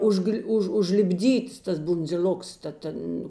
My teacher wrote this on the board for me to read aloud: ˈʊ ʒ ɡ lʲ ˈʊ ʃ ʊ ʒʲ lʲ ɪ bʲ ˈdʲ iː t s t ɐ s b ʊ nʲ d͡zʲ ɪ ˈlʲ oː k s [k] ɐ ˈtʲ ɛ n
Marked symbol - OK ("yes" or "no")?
no